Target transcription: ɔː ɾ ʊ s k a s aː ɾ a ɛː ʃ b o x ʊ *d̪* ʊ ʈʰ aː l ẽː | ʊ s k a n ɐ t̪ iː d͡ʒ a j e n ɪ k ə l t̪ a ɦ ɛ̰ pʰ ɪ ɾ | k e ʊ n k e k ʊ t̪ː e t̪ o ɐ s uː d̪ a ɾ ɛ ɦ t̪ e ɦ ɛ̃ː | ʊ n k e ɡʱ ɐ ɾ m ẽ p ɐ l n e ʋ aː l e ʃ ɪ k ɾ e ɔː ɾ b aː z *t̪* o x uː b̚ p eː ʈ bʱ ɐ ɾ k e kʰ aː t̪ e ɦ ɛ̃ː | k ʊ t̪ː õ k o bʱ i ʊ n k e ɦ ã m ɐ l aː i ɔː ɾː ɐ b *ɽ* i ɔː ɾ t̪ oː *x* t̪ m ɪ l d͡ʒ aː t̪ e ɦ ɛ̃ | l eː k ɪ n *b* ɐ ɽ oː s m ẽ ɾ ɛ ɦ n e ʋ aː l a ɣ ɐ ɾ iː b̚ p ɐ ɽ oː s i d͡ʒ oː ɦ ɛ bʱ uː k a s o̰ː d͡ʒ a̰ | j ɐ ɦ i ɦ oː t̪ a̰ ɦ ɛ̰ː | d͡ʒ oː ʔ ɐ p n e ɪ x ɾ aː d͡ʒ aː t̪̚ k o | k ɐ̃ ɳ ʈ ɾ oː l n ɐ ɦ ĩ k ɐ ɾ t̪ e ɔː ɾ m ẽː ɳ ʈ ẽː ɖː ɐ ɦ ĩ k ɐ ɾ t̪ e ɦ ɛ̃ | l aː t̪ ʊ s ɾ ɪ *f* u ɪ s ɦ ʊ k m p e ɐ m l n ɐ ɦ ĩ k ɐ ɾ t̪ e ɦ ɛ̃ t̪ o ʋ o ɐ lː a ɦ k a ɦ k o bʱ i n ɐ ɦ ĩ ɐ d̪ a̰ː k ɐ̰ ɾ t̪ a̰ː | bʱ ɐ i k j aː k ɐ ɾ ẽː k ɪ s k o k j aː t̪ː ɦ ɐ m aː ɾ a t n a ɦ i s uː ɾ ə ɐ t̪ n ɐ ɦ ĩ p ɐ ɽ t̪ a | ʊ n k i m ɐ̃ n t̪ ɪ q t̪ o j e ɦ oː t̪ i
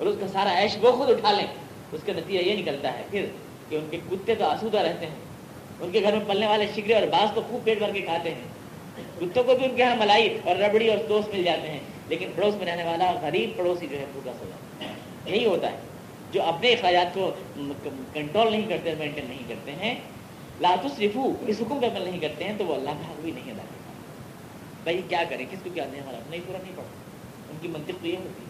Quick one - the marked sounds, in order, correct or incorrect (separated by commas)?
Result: correct, correct, correct, incorrect, incorrect, correct